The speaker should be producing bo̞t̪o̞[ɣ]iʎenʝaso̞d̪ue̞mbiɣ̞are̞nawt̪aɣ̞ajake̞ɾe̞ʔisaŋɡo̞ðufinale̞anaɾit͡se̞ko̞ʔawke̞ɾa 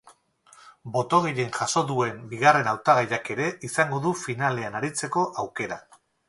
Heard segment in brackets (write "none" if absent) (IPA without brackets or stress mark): ɣ